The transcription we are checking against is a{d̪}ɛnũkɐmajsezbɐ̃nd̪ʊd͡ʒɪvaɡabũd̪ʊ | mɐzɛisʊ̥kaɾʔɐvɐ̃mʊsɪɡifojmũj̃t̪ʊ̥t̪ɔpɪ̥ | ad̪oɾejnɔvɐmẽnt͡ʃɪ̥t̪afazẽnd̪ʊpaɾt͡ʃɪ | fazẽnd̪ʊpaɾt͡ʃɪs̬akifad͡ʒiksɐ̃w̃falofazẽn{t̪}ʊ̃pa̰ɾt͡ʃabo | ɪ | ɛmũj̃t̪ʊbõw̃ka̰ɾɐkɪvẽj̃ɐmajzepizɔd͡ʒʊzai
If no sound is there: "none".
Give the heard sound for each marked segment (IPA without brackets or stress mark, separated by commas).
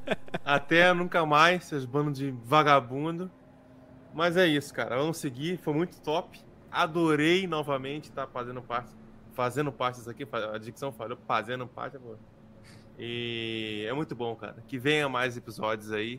t̪, d̪